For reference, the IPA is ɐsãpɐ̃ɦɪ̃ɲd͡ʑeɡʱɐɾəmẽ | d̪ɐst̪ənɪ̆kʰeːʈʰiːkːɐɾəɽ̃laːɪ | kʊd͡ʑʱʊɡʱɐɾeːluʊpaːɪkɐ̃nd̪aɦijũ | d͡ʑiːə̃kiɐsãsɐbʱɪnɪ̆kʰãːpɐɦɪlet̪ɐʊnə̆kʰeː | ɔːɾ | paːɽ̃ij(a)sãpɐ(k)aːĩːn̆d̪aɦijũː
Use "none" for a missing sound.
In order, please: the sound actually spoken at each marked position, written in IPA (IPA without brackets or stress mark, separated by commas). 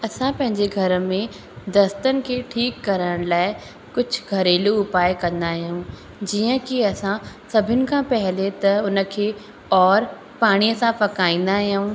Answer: ə, k